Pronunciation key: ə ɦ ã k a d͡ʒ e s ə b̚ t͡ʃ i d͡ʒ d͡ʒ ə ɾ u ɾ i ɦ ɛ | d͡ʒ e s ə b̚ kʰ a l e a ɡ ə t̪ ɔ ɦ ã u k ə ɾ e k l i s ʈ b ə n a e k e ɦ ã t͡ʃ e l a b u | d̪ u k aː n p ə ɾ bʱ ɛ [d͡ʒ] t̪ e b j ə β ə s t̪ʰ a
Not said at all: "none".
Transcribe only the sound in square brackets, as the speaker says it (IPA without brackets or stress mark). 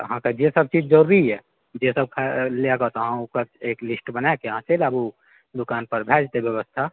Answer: d͡ʒ